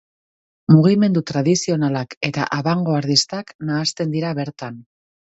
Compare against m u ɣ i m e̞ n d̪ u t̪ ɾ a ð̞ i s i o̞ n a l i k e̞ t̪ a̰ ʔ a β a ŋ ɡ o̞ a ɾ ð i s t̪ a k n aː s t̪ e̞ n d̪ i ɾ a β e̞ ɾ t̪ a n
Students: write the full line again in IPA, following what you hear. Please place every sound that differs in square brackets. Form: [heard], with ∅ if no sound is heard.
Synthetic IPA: m u ɣ i m e̞ n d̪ u t̪ ɾ a ð̞ i s i o̞ n a l [a] k e̞ t̪ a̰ ʔ a β a ŋ ɡ o̞ a ɾ ð i s t̪ a k n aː s t̪ e̞ n d̪ i ɾ a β e̞ ɾ t̪ a n